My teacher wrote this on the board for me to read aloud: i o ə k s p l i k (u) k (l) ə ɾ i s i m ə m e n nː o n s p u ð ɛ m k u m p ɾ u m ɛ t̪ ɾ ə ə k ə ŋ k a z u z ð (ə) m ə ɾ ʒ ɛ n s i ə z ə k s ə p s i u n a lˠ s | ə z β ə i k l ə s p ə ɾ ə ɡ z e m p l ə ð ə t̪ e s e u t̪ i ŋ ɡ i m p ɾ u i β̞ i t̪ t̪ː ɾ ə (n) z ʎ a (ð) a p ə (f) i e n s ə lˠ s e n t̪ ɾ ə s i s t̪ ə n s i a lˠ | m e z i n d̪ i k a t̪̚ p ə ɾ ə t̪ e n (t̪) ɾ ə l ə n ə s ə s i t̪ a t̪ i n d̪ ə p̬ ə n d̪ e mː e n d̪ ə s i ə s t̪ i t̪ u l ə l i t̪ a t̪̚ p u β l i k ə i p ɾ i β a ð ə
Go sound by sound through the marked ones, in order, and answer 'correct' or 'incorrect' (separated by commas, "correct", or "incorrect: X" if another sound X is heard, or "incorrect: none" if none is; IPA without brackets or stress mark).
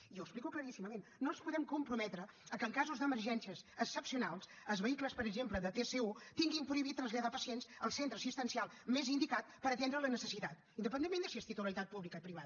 correct, correct, correct, correct, correct, incorrect: s, incorrect: d̪